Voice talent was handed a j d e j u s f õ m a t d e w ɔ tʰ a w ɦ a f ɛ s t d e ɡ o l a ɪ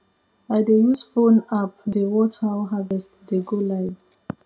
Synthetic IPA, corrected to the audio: a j d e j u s f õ n a p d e w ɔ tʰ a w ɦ a v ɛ s t d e ɡ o l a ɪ